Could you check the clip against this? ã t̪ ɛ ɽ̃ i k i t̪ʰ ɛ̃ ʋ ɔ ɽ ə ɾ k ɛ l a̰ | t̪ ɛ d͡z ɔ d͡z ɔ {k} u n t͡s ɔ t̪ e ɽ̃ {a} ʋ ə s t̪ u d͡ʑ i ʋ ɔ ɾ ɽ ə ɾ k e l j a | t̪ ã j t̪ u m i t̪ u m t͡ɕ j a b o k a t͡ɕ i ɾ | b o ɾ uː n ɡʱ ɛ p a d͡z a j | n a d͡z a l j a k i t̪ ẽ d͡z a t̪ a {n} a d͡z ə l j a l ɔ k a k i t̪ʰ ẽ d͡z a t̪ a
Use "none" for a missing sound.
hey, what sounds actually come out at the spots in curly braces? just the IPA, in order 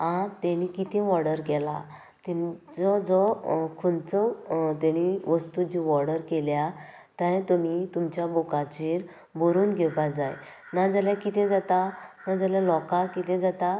kʰ, i, n

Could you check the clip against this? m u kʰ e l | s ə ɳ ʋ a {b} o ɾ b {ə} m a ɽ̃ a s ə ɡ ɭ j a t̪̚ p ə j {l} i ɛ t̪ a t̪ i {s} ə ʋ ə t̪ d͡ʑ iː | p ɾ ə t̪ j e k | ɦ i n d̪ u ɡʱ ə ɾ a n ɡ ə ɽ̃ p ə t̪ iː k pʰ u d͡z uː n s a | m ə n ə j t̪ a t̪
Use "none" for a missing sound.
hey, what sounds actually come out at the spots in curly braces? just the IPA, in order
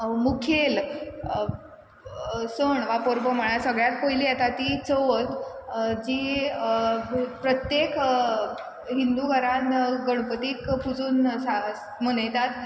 p, ə, l, t͡s

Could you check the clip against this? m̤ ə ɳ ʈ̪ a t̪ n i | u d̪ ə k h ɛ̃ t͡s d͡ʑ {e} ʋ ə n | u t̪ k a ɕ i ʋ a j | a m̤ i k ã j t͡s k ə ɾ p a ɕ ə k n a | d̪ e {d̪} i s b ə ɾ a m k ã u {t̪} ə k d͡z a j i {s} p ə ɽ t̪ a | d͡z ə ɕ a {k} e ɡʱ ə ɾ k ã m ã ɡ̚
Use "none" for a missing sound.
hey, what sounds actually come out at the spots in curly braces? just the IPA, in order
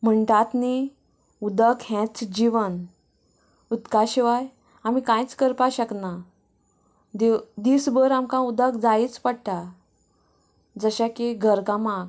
i, d̪, d̪, t͡s, k

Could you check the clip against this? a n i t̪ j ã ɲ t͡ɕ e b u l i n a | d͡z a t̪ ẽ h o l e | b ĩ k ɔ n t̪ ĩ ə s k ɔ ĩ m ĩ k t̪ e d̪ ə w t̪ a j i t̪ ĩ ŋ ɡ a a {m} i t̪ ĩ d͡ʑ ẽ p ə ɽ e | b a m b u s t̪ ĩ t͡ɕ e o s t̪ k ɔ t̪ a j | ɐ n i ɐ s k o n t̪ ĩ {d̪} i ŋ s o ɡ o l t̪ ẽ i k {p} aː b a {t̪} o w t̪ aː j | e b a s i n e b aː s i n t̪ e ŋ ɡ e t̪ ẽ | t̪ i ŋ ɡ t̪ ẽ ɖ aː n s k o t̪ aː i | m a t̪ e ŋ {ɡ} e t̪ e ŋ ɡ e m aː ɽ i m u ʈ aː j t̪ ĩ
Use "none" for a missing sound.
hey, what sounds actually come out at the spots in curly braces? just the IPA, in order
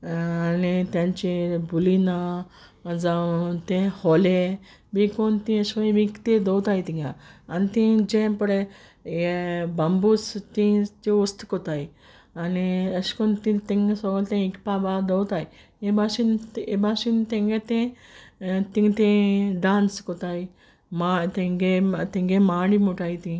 n, t̪, p, d̪, ɡ

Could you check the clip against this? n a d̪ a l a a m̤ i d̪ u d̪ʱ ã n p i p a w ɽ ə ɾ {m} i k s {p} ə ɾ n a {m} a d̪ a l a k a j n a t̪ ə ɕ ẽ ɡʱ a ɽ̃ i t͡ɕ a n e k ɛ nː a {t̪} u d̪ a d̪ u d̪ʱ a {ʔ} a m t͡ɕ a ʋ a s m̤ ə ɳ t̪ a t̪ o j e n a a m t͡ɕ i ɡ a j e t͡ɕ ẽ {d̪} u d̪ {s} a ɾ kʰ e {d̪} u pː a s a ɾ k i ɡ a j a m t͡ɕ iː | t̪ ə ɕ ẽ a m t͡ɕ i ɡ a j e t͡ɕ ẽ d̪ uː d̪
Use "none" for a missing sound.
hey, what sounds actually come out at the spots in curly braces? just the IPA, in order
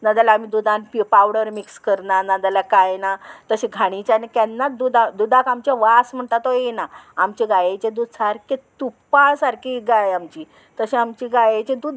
m, k, n, d̪, k, d̪, s, t̪

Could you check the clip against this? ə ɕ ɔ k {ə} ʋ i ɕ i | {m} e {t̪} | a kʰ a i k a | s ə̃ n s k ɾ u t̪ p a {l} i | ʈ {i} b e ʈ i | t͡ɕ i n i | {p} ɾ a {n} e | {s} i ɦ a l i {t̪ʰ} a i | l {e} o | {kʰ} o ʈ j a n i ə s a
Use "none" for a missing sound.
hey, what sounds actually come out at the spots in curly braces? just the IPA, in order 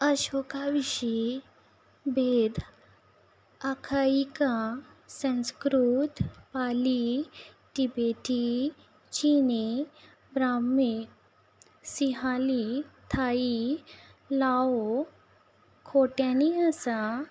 a, b, d̪, l, i, b, m, s, t̪ʰ, a, kʰ

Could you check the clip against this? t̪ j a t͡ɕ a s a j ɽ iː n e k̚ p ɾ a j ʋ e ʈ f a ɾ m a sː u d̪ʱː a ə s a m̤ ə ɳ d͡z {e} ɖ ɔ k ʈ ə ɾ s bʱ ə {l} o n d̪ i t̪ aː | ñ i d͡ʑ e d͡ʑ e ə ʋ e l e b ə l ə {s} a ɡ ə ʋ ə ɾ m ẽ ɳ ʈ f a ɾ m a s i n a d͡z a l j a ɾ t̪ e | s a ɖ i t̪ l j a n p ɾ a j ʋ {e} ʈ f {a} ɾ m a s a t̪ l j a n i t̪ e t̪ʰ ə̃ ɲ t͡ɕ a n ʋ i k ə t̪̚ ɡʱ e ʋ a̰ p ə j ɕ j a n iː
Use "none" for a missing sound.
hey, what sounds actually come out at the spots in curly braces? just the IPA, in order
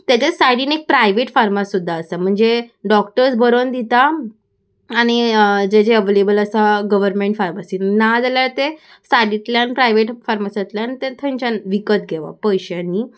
e, ɾ, s, e, a

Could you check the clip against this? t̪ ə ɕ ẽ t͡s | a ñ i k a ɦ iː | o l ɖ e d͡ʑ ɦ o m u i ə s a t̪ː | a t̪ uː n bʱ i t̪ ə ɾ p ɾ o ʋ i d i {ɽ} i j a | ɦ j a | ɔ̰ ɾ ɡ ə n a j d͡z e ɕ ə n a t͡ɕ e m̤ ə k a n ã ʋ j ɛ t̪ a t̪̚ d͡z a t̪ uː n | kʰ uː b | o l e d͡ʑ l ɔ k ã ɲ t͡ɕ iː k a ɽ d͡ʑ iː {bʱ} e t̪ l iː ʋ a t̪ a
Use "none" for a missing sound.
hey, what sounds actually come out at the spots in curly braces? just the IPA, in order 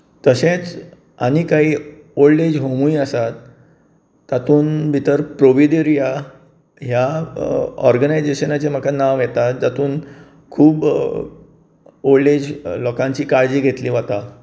ɾ, ɡʱ

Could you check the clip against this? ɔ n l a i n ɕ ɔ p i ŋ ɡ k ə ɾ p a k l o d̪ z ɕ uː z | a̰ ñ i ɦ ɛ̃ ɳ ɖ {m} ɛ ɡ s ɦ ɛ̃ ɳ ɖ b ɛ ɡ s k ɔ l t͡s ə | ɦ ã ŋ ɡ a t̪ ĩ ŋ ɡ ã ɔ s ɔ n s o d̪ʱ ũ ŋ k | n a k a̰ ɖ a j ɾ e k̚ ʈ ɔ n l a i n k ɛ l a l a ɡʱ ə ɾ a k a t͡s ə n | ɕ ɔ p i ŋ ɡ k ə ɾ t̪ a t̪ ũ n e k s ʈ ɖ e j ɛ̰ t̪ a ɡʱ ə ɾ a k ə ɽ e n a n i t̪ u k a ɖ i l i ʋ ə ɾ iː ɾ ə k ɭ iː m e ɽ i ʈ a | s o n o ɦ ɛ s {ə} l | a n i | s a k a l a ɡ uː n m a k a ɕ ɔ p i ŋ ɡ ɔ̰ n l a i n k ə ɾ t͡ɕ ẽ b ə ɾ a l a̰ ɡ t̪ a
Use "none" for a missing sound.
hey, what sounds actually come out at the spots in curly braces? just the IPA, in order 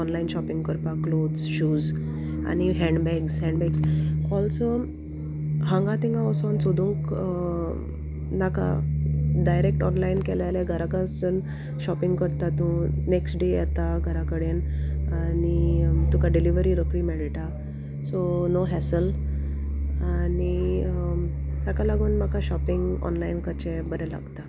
b, ə

